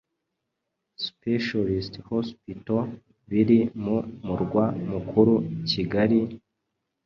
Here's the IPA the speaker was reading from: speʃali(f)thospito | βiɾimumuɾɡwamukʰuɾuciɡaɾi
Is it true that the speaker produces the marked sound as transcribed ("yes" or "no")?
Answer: no